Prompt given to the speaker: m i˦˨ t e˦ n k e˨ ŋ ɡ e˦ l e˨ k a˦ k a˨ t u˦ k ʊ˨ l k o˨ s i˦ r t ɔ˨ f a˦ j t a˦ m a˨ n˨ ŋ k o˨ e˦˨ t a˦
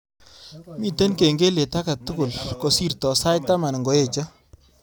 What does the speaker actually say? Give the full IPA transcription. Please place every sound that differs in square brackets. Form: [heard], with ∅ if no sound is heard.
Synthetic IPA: m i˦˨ t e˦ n k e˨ ŋ ɡ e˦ l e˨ [t] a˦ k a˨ t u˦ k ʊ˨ l k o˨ s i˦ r t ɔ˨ [s] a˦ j t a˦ m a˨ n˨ ŋ [ɡ] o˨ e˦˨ [t͡ʃ] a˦